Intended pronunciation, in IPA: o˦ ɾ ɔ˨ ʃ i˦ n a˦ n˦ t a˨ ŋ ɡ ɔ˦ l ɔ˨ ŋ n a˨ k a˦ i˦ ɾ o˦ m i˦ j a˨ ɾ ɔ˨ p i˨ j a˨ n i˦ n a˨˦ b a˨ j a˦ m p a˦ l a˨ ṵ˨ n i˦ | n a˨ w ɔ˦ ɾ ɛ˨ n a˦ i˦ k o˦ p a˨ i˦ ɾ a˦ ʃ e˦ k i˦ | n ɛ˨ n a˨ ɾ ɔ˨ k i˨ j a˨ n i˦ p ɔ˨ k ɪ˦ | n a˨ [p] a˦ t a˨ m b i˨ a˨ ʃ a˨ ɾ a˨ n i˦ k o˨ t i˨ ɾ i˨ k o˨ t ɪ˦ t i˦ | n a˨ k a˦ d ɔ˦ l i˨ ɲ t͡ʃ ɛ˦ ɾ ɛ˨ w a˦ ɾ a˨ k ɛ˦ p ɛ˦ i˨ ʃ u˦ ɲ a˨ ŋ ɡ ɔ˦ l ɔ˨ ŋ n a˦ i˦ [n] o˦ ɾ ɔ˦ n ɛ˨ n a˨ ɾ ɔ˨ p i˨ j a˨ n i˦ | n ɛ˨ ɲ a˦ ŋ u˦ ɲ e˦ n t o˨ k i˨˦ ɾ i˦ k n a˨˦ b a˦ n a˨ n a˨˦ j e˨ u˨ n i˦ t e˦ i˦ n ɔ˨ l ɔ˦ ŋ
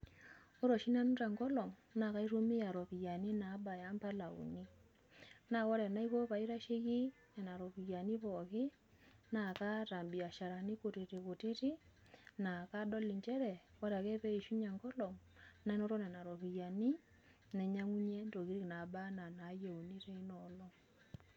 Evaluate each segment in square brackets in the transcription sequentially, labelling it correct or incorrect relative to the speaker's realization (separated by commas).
incorrect, correct